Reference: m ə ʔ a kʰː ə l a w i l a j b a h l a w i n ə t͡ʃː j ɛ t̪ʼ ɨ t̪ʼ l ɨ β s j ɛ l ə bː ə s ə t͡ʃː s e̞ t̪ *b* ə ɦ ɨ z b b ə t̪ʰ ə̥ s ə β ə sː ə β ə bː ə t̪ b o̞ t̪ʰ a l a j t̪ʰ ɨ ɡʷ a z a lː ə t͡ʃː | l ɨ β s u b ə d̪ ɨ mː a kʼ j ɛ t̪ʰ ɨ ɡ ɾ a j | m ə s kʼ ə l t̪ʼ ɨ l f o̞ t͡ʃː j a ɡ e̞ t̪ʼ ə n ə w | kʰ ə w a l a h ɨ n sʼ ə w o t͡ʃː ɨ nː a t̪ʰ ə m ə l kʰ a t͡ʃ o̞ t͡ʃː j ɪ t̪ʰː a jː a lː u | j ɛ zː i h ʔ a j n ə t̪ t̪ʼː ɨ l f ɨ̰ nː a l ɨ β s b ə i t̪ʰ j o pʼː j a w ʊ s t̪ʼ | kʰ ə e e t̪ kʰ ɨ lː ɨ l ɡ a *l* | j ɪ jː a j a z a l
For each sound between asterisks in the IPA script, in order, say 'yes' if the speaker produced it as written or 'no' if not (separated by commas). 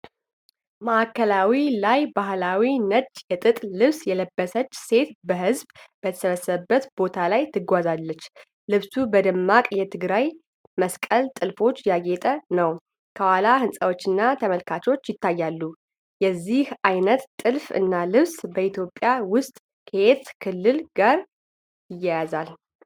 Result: yes, no